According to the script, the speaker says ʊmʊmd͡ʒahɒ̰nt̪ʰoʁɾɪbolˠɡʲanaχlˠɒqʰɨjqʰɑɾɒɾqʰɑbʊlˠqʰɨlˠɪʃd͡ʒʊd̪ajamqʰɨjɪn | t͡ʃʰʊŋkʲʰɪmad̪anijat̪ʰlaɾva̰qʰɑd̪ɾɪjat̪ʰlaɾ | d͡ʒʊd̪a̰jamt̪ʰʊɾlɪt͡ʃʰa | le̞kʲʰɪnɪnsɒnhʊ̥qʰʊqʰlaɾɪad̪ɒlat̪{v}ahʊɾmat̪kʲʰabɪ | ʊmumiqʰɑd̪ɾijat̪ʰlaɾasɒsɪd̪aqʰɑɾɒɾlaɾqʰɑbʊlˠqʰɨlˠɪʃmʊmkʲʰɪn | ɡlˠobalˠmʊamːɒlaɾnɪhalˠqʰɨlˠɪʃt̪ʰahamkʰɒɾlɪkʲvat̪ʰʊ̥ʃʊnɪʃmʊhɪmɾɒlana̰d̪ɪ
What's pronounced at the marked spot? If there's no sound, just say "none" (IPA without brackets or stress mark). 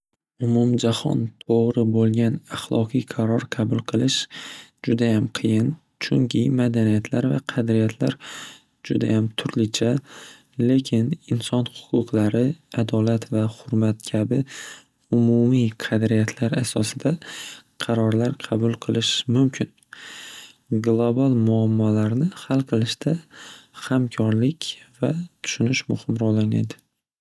v